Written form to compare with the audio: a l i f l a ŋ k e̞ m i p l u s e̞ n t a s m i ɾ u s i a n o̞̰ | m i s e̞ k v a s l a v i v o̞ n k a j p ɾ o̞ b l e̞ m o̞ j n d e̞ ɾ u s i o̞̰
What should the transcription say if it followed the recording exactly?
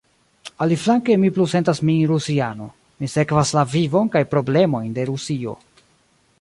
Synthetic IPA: a l i f l a ŋ k e̞ m i p l u s e̞ n t a s m i ɾ u s i a n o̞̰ | m i s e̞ k v a s l a v i v o̞ n k a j p ɾ o̞ b l e̞ m o̞ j n d e̞ ɾ u s i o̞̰